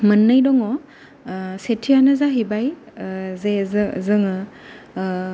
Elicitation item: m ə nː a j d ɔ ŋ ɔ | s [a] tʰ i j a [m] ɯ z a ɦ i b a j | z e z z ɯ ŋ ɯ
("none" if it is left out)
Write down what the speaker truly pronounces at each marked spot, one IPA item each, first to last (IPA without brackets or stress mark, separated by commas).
e, n